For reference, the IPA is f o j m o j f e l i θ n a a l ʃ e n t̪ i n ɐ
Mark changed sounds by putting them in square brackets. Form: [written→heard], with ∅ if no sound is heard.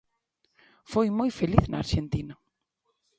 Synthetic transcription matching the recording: f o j m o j f e l i θ n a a [l→ɾ] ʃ e n t̪ i n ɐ